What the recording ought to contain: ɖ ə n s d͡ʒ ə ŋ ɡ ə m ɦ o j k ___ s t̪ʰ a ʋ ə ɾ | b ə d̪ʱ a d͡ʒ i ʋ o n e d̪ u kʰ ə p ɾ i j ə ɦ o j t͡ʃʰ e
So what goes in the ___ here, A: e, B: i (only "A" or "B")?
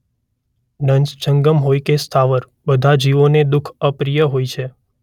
A